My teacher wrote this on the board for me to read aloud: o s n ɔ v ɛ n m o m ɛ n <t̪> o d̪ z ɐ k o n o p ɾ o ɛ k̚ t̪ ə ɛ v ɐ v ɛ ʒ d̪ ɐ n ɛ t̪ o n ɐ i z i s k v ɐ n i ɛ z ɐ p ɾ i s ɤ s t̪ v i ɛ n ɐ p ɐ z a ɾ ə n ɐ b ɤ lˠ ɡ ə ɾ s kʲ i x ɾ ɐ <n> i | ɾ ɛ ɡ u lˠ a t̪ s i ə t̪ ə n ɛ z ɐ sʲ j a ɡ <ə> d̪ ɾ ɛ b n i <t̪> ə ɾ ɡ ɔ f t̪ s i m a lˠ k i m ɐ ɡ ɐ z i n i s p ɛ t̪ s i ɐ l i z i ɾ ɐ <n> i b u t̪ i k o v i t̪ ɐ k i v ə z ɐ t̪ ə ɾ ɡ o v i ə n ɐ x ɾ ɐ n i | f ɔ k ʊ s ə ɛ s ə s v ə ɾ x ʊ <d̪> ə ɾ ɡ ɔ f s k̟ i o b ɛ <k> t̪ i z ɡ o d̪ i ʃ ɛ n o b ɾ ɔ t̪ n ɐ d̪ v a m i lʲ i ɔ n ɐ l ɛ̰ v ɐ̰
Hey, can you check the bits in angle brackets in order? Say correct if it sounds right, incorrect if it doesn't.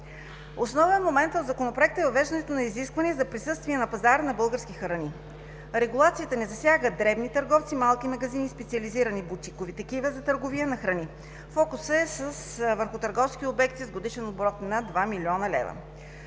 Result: correct, correct, correct, correct, correct, incorrect: t̪, correct

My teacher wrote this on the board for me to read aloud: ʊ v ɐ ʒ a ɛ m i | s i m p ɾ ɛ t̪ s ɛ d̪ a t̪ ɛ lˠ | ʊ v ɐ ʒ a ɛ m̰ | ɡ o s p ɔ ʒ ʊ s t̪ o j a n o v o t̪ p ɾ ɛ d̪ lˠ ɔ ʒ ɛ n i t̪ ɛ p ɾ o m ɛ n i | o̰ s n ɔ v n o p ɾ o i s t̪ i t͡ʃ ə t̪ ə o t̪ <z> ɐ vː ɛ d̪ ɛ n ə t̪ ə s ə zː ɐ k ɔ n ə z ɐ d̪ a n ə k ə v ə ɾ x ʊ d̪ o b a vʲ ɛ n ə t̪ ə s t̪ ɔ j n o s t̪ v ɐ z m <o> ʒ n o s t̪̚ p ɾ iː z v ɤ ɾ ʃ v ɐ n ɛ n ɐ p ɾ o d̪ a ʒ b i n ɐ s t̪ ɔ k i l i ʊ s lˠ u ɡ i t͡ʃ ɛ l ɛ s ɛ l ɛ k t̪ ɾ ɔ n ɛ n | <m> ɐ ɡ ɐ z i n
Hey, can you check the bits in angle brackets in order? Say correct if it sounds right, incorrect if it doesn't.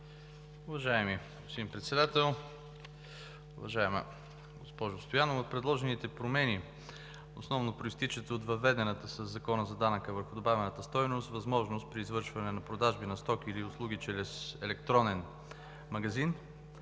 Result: incorrect: v, incorrect: ɔ, correct

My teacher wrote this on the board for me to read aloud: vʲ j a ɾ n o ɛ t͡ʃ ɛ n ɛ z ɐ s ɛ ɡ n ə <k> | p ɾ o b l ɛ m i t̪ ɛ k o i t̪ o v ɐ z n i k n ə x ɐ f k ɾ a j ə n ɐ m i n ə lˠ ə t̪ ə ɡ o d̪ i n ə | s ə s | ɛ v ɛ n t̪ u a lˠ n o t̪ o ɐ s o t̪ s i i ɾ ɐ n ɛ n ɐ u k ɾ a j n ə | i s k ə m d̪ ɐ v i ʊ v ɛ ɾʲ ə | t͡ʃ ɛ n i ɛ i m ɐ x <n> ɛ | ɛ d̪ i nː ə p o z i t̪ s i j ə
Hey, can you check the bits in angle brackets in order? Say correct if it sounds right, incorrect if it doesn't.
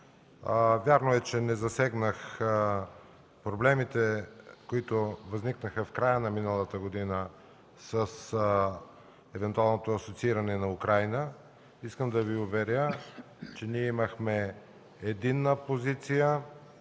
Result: incorrect: x, incorrect: m

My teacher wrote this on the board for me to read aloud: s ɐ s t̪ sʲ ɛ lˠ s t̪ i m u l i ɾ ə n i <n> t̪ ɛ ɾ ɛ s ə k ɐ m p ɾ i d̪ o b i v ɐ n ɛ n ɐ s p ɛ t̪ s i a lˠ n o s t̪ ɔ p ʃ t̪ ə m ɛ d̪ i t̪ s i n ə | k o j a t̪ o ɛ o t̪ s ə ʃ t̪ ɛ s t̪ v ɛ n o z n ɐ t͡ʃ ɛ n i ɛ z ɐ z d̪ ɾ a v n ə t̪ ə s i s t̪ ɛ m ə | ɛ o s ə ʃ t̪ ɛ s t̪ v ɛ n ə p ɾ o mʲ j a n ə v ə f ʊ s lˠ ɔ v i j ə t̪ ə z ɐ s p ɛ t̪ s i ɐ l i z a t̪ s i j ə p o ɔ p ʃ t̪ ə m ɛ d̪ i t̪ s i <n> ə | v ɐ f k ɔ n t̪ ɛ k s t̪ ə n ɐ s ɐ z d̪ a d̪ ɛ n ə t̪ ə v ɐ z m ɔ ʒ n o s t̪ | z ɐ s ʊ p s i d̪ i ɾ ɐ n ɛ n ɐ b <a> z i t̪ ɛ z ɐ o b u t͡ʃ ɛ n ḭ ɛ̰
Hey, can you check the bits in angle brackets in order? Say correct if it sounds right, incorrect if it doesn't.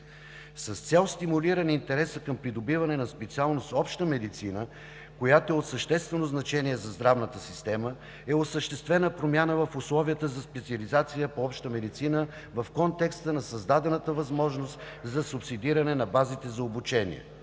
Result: correct, correct, correct

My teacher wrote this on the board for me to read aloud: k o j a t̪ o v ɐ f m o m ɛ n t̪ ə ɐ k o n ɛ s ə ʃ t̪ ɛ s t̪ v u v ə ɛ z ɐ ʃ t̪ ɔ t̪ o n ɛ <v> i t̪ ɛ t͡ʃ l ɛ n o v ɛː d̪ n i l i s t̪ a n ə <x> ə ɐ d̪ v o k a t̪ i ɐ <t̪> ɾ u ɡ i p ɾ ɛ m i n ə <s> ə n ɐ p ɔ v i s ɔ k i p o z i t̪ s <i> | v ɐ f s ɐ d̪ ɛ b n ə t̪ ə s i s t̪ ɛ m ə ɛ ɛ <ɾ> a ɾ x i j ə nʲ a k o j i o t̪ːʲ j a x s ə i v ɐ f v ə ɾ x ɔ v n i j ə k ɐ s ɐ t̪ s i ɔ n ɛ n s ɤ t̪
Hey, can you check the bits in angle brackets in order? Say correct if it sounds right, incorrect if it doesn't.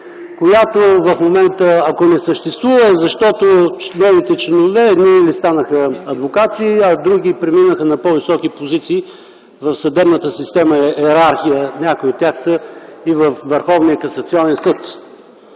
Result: correct, correct, incorrect: d̪, incorrect: x, incorrect: iː, correct

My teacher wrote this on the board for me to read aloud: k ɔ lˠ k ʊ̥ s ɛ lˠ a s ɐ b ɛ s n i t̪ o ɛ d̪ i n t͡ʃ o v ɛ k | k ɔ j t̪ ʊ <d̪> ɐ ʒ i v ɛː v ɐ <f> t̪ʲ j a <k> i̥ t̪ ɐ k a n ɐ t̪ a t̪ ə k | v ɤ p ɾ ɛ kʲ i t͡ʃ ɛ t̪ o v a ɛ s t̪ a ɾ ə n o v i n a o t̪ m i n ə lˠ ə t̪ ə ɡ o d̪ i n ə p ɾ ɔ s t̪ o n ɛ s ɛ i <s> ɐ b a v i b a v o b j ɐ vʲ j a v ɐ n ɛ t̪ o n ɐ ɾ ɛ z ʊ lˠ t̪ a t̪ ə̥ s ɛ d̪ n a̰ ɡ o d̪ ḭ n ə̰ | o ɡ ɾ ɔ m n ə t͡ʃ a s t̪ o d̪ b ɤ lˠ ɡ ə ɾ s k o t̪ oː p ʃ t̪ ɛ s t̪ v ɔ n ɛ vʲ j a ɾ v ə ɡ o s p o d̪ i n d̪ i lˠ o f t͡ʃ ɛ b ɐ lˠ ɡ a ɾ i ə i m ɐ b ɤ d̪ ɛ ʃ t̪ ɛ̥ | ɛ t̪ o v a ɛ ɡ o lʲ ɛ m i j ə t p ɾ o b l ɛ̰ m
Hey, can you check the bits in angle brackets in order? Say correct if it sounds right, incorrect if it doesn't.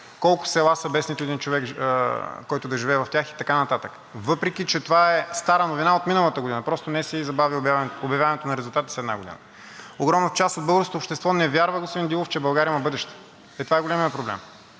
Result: correct, correct, incorrect: x, incorrect: z

